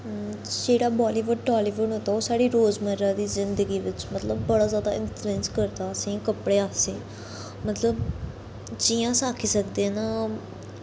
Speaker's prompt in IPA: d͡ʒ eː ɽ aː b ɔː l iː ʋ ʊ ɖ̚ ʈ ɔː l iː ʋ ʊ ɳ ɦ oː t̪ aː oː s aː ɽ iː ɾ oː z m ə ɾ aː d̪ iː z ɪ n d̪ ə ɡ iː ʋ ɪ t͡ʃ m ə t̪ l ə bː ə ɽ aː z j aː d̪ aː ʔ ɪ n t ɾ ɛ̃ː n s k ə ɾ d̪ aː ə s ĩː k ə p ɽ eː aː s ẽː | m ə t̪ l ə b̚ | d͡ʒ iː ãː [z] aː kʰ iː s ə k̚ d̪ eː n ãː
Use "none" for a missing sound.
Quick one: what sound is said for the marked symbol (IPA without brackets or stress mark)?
s